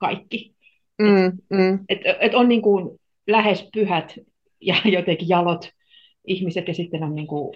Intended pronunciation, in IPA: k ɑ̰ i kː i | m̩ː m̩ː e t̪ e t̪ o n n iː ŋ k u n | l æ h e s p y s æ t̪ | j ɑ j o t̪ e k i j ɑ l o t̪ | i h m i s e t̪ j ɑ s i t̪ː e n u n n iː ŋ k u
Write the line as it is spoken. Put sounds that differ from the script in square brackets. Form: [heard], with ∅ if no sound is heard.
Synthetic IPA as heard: k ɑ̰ i kː i | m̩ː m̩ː e t̪ e t̪ o n n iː ŋ k u n | l æ h e s p y [h] æ t̪ | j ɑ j o t̪ e k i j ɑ l o t̪ | i h m i s e t̪ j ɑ s i t̪ː e n [o] n n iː ŋ k u